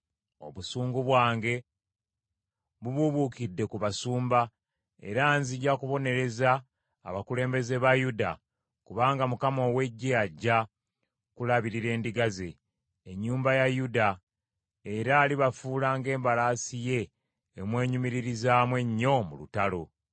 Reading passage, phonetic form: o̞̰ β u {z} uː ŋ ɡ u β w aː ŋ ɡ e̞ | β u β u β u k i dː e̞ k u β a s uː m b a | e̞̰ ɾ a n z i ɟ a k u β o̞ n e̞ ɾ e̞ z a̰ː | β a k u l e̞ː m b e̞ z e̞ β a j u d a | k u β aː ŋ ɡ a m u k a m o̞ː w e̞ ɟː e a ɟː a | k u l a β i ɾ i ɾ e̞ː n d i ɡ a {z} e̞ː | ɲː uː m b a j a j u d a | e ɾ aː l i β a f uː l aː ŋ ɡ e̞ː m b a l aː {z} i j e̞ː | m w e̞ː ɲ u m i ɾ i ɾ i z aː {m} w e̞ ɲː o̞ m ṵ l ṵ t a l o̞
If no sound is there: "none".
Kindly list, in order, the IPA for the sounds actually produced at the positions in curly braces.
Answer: s, z, s, m

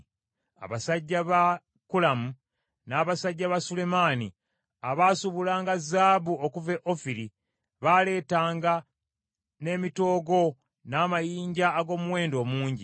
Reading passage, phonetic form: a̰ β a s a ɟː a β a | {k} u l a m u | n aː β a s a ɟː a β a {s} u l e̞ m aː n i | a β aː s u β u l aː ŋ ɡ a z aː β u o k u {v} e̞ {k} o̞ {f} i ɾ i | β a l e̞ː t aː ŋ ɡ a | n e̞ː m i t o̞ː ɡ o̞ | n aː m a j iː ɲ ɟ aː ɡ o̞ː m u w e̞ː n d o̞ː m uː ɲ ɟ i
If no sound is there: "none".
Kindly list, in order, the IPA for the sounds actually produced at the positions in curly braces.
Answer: k, s, v, ʔ, f

